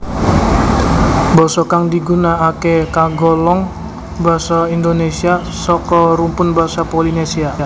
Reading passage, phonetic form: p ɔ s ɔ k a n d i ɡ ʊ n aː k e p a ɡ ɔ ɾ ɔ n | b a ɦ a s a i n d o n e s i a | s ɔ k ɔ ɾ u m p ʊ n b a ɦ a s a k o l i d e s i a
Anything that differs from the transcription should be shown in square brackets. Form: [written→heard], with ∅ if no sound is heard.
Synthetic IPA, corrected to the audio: [p→b] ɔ s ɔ k a [n→ŋ] d i ɡ [ʊ→u] n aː k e [p→k] a ɡ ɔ [ɾ→l] ɔ [n→ŋ] | b a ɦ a s a i n d o n e s i a | s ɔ k ɔ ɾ u m p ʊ n b a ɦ a s a [k→p] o l i [d→n] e s i a

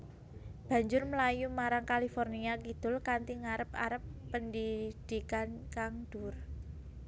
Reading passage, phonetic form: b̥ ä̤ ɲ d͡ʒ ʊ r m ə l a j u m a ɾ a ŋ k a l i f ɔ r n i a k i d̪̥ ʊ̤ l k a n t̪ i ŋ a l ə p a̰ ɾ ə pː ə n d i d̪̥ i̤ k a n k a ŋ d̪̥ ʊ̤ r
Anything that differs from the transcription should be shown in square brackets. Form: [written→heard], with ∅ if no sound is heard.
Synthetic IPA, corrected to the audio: b̥ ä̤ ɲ d͡ʒ ʊ r m ə l a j u m a ɾ a ŋ k a l i f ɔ r n i a k i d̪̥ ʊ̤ l k a n t̪ i ŋ a [l→ɾ] ə p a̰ ɾ ə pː ə n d i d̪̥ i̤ k a n k a ŋ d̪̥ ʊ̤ r

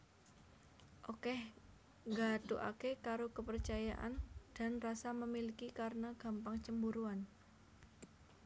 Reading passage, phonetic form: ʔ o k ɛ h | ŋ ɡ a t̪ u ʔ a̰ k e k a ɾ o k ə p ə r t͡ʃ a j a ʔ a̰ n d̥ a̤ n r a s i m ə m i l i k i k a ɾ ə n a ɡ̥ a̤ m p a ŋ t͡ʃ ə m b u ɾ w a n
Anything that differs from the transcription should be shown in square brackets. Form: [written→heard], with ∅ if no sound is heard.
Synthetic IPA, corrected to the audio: ʔ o k ɛ h | ŋ ɡ a t̪ u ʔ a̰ k e k a ɾ o k ə p ə r t͡ʃ a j a ʔ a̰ n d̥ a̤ n r a s [i→a] m ə m i l i k i k a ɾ ə n a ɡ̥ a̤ m p a ŋ t͡ʃ ə m b u ɾ [w→u] a n

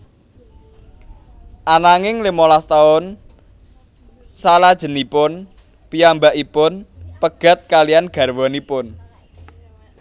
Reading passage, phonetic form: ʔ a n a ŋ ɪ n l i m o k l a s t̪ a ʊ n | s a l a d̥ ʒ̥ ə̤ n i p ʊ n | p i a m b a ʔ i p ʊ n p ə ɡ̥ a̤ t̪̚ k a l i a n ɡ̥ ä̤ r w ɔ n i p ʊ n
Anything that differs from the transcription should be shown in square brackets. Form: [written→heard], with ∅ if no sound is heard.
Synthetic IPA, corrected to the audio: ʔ a n a ŋ ɪ [n→ŋ] l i m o [k→∅] l a s t̪ a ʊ n | s a l a d̥ ʒ̥ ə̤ n i p ʊ n | p i a m b a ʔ i p ʊ n p ə ɡ̥ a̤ t̪̚ k a l i a n ɡ̥ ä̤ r w ɔ n i p ʊ n

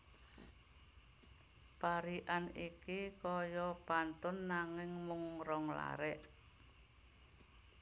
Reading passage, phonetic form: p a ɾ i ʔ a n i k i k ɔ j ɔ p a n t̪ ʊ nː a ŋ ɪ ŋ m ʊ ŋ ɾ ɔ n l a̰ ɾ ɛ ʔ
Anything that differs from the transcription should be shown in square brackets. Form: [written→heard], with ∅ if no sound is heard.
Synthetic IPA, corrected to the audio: p a ɾ i ʔ a n i k i k ɔ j ɔ p a n t̪ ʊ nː a ŋ ɪ ŋ m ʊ ŋ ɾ ɔ [n→ŋ] l a̰ ɾ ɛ ʔ

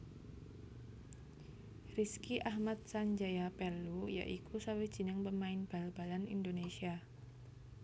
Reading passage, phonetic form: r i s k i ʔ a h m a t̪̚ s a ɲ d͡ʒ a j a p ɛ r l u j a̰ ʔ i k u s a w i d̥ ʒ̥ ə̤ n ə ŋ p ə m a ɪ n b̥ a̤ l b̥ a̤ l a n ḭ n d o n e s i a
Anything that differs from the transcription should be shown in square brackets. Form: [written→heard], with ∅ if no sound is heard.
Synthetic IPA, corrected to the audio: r i s k i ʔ a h m a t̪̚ s a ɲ d͡ʒ a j a p ɛ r l u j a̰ ʔ i k u s a w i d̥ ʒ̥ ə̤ n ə ŋ p ə m a ɪ n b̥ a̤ l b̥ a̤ l a n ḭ n d o n e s i a

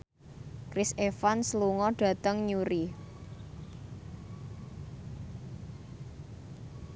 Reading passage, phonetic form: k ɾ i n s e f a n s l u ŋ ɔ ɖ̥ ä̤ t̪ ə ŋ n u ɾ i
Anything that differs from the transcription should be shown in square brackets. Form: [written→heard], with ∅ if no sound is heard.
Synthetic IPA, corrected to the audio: k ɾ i [n→∅] s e f a n s l u ŋ ɔ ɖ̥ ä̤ t̪ ə ŋ [n→ɲ] u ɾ i

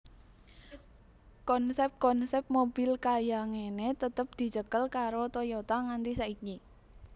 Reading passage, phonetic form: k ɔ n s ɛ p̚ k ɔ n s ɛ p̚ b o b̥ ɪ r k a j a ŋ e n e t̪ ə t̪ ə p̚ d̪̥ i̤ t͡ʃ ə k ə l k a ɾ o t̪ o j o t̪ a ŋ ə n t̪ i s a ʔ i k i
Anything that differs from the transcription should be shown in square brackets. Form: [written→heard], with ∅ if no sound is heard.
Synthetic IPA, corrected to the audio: k ɔ n s ɛ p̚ k ɔ n s ɛ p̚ [b→m] o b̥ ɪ [r→l] k a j a ŋ e n e t̪ ə t̪ ə p̚ d̪̥ i̤ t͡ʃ ə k ə l k a ɾ o t̪ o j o t̪ a ŋ [ə→a] n t̪ i s a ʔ i k i

